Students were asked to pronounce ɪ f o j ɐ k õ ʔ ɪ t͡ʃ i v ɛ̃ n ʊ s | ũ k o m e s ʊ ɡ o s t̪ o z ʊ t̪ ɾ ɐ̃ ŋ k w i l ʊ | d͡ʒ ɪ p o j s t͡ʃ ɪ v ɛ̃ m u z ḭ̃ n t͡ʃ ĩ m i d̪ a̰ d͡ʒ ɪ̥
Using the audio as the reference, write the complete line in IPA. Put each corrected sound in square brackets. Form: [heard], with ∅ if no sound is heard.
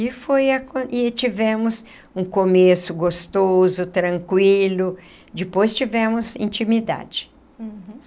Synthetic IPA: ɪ f o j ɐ k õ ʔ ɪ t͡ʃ i v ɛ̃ [m] ʊ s | ũ k o m e s ʊ ɡ o s t̪ o z ʊ t̪ ɾ ɐ̃ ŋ k w i l ʊ | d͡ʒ ɪ p o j s t͡ʃ [i] v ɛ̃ m [ʊ] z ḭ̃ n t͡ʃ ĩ m i d̪ a̰ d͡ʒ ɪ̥